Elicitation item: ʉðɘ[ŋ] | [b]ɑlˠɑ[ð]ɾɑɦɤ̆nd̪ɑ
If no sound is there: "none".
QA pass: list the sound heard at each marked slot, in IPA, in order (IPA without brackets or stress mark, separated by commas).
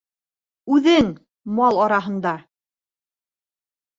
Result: ŋ, m, none